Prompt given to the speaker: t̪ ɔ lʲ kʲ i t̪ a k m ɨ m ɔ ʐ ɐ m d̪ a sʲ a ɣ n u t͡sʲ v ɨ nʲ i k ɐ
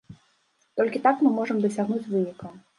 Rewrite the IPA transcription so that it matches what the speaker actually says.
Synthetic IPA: t̪ ɔ lʲ kʲ i t̪ a k m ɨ m ɔ ʐ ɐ m d̪ ɐ sʲ a ɣ n u t͡sʲ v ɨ nʲ i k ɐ